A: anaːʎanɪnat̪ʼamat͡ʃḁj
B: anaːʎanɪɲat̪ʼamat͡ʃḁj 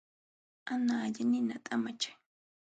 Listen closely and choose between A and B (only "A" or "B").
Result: A